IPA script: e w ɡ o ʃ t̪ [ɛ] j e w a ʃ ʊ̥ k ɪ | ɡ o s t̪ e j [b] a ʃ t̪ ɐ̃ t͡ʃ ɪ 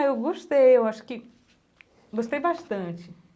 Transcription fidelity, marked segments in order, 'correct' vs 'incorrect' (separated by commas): incorrect, correct